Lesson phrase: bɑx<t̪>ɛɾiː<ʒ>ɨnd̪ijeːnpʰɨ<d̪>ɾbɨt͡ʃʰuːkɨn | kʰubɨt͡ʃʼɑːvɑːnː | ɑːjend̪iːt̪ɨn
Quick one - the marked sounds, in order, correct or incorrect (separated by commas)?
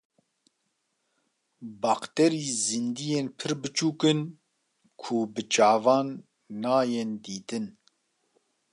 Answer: correct, incorrect, incorrect